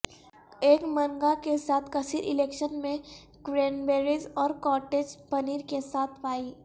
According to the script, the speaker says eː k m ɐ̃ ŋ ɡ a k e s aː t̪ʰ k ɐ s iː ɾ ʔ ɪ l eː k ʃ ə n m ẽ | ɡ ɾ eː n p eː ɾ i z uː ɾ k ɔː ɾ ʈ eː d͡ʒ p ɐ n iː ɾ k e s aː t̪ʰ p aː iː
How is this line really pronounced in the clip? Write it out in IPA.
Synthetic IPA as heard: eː k m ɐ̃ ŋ ɡ a k e s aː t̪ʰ k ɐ s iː ɾ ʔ ɪ l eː k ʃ ə n m ẽ | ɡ ɾ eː n b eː ɾ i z ɔː ɾ k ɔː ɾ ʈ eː d͡ʒ p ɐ n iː ɾ k e s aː t̪ʰ p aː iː